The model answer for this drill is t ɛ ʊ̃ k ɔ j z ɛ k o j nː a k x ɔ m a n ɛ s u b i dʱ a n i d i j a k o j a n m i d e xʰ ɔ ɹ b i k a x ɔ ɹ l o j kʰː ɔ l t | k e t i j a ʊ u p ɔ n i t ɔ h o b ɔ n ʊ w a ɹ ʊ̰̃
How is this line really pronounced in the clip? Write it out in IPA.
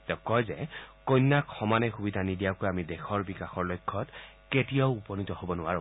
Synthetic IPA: t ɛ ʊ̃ k ɔ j z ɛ k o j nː a k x ɔ m a n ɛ x u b i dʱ a n i d i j a k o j a m i d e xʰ ɔ ɹ b i k a x ɔ ɹ l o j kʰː ɔ t | k e t i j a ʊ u p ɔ n i t ɔ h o b ɔ n ʊ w a ɹ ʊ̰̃